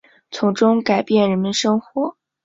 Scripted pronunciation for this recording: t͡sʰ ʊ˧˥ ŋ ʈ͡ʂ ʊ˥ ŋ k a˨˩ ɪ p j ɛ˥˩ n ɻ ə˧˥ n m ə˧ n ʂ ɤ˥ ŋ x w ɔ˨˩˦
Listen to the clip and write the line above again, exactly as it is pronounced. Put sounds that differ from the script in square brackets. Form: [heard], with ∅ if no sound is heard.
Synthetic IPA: t͡sʰ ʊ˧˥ ŋ ʈ͡ʂ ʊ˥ ŋ k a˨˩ ɪ p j ɛ˥˩ n ɻ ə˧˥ n m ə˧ n ʂ ɤ˥ ŋ x w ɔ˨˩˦